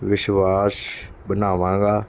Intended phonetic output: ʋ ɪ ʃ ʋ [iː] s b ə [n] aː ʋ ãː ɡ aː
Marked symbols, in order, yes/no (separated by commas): no, yes